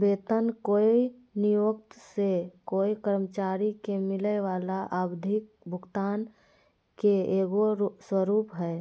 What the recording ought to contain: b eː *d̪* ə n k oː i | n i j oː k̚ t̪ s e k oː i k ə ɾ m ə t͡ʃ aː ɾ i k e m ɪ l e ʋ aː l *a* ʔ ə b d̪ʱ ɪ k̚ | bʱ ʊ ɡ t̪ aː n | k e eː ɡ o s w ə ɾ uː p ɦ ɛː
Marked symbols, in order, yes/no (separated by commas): no, yes